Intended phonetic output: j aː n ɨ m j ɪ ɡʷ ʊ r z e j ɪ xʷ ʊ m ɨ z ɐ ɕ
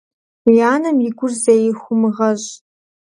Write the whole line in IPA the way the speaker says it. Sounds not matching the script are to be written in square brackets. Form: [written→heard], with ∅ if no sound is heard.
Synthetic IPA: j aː n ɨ m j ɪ ɡʷ ʊ r z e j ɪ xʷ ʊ m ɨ [z→ʁ] ɐ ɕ